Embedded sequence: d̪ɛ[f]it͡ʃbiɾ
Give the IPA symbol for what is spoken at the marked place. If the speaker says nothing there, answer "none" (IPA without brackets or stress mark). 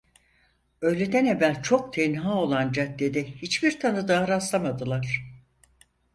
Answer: h